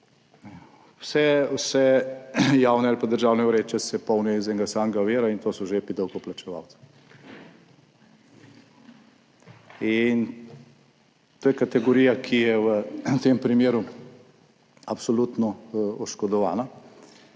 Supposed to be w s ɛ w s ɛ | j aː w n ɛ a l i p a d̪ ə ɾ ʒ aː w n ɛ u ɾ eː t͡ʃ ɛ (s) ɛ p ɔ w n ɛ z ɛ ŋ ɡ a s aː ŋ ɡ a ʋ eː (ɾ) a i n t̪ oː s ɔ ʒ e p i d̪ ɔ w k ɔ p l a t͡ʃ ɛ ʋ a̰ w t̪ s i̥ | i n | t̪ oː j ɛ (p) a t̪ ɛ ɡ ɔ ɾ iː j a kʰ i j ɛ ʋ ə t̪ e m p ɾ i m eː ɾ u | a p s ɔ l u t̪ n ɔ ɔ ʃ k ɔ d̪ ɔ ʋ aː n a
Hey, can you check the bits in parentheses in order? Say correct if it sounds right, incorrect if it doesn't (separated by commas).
correct, correct, incorrect